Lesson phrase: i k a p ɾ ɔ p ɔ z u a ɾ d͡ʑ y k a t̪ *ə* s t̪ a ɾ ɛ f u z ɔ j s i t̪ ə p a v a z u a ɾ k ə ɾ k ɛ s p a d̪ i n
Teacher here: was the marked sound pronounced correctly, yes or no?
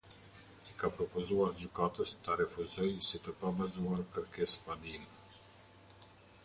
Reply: yes